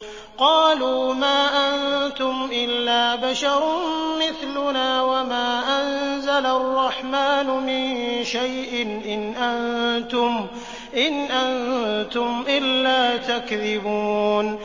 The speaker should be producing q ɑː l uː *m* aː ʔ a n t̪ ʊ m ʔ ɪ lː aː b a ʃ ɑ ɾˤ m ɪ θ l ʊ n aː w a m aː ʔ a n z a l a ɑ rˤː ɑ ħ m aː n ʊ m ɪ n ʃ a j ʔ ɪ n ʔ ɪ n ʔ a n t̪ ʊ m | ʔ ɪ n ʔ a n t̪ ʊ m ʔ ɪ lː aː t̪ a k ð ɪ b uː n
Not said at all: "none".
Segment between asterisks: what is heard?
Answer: m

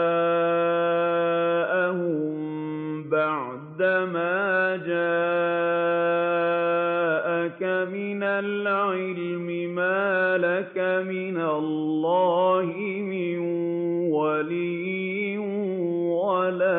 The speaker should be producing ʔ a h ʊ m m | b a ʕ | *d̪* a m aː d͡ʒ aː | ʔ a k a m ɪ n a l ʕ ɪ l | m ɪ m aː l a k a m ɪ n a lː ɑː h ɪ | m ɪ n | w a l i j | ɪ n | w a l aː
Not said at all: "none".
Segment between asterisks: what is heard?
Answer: d̪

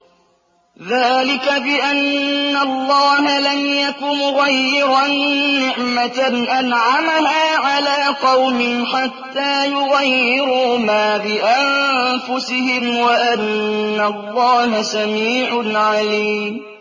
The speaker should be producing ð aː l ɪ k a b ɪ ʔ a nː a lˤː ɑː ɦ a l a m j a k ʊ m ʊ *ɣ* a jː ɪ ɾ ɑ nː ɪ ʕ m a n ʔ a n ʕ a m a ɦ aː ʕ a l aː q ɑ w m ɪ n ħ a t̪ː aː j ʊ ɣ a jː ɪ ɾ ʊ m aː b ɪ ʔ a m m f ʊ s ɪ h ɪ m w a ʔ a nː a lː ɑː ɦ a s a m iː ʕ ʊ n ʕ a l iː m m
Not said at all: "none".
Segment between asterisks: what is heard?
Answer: ɣ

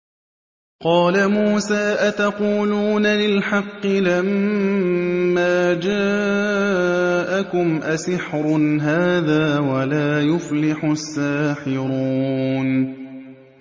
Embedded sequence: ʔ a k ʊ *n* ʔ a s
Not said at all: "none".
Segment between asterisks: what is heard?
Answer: m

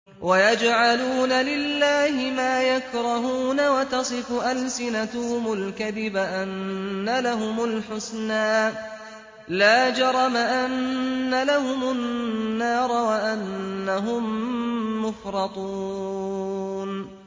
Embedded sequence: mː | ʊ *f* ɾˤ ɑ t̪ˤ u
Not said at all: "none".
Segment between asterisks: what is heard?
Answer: f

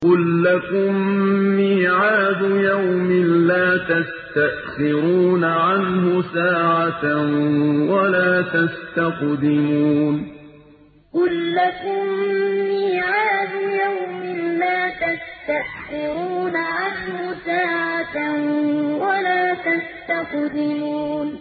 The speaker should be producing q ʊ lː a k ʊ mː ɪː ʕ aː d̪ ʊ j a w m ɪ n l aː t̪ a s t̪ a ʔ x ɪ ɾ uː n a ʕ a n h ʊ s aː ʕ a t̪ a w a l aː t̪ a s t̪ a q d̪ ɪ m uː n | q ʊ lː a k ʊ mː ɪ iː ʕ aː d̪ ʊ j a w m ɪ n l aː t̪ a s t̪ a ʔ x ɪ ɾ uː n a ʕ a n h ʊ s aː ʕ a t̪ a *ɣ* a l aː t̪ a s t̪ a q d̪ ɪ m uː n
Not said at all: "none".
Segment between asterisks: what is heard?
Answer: w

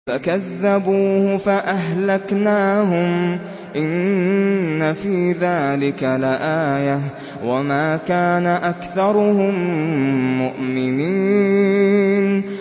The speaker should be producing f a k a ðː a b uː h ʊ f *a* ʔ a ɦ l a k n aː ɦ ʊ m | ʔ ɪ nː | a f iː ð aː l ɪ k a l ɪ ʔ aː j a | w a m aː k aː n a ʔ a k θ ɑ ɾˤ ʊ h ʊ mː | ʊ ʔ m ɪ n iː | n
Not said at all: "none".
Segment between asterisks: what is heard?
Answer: a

